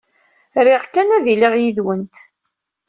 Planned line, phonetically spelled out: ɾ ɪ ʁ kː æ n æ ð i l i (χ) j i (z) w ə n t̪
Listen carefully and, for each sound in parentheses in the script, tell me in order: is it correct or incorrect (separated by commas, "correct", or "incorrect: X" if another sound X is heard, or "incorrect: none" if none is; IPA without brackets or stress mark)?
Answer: incorrect: ʁ, incorrect: ð